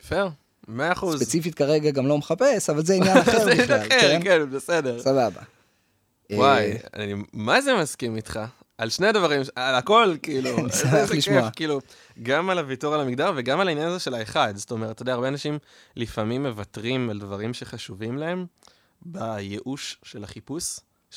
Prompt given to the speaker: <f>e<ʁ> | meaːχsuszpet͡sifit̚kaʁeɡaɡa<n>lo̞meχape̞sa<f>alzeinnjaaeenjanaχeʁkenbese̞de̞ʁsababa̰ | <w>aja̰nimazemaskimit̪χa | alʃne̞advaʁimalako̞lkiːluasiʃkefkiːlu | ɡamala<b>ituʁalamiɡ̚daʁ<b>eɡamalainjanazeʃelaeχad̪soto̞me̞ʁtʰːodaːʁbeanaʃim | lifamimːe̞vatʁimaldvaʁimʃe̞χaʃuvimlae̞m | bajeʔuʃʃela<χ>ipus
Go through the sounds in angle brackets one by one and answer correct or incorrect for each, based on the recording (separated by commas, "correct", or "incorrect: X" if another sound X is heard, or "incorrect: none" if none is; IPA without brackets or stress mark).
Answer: correct, correct, incorrect: m, incorrect: v, correct, incorrect: v, incorrect: v, correct